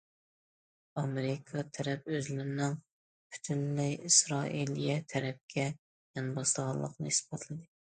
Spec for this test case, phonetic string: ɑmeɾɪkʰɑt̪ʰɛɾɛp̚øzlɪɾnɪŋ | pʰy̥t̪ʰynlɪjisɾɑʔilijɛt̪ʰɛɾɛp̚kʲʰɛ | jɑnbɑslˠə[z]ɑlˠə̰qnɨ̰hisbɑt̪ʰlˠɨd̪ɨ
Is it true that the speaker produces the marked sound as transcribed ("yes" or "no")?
no